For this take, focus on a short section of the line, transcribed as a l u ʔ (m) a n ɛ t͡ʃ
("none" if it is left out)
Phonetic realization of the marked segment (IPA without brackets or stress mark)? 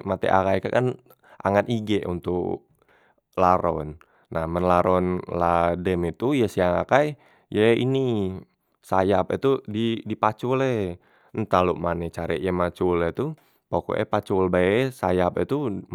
m